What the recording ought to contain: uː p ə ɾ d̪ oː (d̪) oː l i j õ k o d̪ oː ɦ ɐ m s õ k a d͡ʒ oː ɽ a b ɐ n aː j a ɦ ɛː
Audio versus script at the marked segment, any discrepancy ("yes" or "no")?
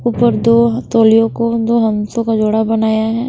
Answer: yes